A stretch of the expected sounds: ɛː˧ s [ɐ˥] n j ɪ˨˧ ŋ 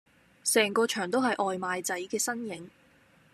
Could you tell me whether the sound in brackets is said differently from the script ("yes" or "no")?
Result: no